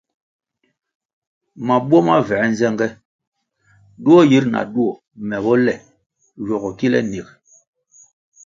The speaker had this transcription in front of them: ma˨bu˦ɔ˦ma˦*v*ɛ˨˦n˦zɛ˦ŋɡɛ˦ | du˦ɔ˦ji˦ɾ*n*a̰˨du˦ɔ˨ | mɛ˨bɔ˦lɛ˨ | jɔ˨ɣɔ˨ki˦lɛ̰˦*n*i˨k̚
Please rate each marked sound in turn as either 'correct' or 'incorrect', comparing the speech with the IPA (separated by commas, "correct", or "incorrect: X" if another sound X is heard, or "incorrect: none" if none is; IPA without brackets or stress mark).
correct, correct, correct